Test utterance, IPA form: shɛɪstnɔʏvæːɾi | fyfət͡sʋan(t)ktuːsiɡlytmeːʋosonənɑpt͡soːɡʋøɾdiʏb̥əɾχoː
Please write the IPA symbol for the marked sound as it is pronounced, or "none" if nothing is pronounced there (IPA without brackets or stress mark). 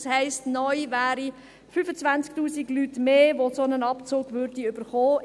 t͡s